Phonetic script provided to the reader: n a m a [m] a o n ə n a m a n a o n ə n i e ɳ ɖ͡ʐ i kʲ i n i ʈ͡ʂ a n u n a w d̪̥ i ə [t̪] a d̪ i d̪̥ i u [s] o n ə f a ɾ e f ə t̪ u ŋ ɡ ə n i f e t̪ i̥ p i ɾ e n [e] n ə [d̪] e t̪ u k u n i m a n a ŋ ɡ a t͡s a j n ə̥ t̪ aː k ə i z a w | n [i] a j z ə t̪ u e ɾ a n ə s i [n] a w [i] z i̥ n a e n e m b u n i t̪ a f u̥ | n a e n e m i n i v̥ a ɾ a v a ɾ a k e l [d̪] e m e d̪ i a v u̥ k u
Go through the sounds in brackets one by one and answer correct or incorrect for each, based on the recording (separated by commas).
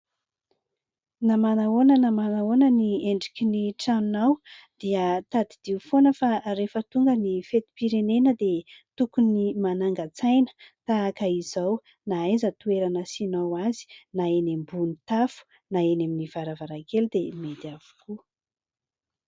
incorrect, correct, incorrect, correct, correct, incorrect, correct, incorrect, correct